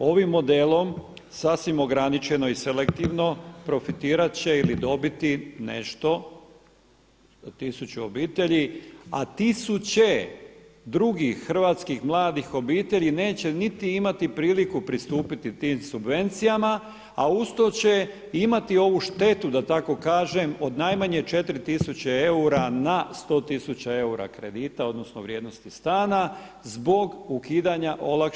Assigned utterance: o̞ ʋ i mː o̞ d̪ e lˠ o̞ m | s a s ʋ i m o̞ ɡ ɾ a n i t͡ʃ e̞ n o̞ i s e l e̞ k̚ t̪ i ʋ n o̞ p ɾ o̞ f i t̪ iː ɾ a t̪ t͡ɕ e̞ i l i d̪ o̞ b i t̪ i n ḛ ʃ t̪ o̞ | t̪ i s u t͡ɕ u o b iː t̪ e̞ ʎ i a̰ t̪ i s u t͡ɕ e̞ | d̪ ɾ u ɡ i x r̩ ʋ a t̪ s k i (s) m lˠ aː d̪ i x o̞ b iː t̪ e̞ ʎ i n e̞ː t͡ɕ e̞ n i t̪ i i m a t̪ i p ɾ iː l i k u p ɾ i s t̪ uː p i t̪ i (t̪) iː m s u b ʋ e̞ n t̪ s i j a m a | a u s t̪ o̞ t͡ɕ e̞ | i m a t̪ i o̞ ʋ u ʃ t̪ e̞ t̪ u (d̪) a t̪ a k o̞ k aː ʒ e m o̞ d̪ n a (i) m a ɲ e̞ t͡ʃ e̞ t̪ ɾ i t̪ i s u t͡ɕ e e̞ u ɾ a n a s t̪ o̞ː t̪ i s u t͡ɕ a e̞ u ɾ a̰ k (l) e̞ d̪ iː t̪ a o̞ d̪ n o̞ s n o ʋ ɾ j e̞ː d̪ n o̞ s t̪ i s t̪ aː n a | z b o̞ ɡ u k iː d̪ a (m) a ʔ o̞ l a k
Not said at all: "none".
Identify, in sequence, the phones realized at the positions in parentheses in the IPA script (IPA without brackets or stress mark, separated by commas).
x, t̪, d̪, j, ɾ, ɲ